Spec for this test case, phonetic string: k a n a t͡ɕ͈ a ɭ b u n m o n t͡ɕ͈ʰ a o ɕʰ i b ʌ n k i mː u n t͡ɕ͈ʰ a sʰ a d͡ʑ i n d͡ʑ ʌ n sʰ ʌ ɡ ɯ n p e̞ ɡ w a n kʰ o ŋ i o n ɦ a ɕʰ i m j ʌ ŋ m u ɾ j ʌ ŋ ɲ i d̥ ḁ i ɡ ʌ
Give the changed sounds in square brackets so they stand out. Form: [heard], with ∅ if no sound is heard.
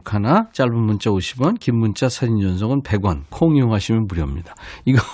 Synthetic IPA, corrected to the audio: [kʰ] a n a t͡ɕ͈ a ɭ b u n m [u] n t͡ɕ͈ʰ a o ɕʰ i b ʌ n k i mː u n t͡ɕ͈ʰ a sʰ a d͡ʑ i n d͡ʑ ʌ n sʰ ʌ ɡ ɯ n p e̞ ɡ w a n kʰ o ŋ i o [ŋ] ɦ a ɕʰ i m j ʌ [n] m u ɾ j ʌ [m] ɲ i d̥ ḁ i ɡ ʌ